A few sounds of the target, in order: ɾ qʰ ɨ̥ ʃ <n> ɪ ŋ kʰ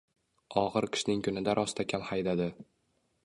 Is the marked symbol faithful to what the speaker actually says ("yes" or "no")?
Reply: yes